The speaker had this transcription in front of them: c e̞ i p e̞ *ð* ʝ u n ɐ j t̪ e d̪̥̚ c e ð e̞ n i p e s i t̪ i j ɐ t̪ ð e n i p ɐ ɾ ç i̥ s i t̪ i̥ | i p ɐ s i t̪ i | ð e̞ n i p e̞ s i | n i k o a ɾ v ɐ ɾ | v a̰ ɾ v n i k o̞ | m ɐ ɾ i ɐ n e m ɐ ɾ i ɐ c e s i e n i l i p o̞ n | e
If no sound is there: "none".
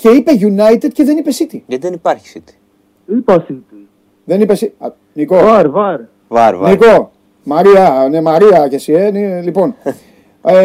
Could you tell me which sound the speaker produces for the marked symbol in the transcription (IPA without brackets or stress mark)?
none